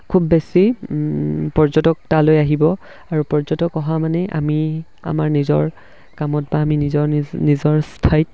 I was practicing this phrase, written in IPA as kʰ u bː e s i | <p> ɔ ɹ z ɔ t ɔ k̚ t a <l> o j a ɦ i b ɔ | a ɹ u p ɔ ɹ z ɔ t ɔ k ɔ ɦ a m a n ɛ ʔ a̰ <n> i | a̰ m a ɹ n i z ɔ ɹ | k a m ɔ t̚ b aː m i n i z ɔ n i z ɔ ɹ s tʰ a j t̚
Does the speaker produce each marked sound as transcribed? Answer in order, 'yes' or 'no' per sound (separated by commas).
yes, yes, no